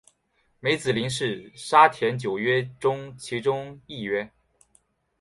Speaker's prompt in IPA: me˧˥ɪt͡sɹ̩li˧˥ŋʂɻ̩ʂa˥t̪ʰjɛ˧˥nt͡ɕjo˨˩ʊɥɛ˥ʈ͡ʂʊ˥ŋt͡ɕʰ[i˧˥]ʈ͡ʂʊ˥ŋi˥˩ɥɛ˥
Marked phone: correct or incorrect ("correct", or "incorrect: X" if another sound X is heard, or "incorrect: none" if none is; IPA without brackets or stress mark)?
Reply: correct